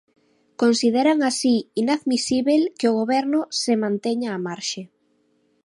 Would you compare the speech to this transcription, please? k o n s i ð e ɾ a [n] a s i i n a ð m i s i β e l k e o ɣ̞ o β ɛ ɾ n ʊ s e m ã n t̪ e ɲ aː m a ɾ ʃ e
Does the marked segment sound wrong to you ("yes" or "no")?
yes